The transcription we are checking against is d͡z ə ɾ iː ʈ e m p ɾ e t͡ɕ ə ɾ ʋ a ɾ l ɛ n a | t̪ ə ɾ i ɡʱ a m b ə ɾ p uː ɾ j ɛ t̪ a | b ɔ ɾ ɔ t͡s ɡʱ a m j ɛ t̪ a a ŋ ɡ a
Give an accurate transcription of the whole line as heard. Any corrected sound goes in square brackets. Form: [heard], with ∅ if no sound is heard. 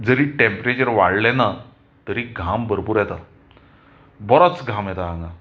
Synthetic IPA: d͡z ə ɾ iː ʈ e m p ɾ e t͡ɕ ə ɾ ʋ a [ɽ] l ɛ n a | t̪ ə ɾ i ɡʱ a m b ə ɾ p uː ɾ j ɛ t̪ a | b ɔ ɾ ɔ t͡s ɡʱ a m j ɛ t̪ a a ŋ ɡ a